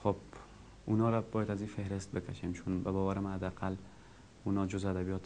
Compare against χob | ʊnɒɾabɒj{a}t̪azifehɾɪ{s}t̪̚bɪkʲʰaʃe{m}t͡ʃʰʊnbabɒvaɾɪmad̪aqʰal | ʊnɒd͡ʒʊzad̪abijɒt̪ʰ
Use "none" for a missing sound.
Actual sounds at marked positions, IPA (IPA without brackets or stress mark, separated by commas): a, s, m